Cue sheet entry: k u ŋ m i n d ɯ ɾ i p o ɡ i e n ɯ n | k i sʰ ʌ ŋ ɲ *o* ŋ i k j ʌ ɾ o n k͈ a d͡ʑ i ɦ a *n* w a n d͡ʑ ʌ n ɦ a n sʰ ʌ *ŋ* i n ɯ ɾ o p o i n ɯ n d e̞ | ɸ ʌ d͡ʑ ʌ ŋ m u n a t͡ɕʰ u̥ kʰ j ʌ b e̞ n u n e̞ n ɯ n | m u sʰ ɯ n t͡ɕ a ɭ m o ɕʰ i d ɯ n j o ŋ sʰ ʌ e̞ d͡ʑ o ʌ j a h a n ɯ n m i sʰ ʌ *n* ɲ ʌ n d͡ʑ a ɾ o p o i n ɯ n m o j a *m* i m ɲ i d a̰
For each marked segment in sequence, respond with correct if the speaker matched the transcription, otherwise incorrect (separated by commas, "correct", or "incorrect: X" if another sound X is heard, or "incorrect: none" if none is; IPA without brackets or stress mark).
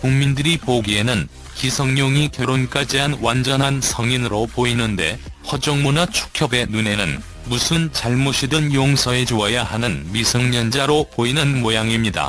correct, correct, correct, incorrect: ŋ, incorrect: ŋ